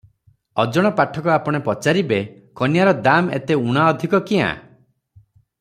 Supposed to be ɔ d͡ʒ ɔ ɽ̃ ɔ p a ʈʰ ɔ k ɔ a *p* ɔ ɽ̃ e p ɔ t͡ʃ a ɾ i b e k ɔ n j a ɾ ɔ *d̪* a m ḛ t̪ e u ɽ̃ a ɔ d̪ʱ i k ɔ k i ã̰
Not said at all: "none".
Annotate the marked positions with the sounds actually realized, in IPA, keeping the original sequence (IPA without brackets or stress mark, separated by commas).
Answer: p, d̪